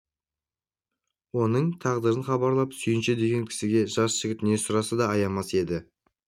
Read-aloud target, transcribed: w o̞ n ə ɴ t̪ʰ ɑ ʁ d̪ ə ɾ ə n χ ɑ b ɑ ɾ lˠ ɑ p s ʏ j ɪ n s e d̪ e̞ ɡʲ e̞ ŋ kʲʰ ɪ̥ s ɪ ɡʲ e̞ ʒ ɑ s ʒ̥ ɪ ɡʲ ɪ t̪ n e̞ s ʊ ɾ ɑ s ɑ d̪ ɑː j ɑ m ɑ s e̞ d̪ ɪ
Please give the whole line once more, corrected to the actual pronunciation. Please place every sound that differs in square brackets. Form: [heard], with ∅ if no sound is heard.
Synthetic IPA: w o̞ n ə ɴ t̪ʰ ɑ ʁ d̪ ə ɾ ə n χ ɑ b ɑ ɾ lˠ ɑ p s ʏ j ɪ n [ʃ] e d̪ e̞ ɡʲ e̞ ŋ kʲʰ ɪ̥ s ɪ ɡʲ e̞ ʒ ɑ s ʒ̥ ɪ ɡʲ ɪ t̪ n e̞ s ʊ ɾ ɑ s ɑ d̪ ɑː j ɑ m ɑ s e̞ d̪ ɪ

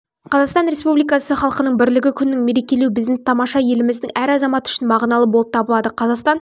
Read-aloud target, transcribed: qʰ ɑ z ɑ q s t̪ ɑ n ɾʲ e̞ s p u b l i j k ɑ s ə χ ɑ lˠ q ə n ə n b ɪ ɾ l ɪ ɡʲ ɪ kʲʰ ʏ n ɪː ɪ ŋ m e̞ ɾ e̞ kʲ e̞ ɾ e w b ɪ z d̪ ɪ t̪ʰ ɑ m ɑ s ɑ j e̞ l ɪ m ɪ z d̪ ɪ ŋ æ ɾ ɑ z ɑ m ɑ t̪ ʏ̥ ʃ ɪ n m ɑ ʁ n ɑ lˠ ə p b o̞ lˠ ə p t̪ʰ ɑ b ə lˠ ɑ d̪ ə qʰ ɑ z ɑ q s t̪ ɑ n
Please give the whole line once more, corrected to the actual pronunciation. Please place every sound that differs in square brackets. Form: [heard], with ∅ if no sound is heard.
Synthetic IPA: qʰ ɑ z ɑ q s t̪ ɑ n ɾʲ e̞ s p u b l i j k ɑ s ə χ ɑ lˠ q ə n ə [ɴ] b ɪ ɾ l ɪ ɡʲ ɪ kʲʰ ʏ n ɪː ɪ ŋ m e̞ ɾ e̞ kʲ e̞ [l] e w b ɪ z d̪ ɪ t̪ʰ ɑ m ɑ [ʃ] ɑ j e̞ l ɪ m ɪ z d̪ ɪ ŋ æ ɾ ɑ z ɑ m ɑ t̪ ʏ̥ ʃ ɪ n m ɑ ʁ n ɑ lˠ ə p b o̞ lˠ ə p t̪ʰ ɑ b ə lˠ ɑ d̪ ə qʰ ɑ z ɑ q s t̪ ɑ n

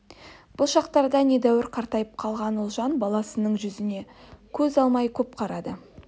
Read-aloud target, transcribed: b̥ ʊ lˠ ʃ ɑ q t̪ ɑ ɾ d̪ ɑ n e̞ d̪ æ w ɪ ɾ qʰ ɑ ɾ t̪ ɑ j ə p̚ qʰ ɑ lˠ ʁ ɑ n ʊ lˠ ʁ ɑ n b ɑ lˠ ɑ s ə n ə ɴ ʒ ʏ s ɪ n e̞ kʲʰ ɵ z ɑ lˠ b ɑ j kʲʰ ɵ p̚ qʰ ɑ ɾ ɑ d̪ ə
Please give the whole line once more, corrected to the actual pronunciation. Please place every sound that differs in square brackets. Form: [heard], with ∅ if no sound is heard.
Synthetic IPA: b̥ ʊ lˠ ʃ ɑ q t̪ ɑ ɾ d̪ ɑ n e̞ d̪ æ w ɪ ɾ qʰ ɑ ɾ t̪ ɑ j ə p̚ qʰ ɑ lˠ ʁ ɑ n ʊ lˠ [ʒ] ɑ n b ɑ lˠ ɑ s ə n ə ɴ ʒ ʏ [z] ɪ n e̞ kʲʰ ɵ z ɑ lˠ [m] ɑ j kʲʰ ɵ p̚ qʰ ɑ ɾ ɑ d̪ ə

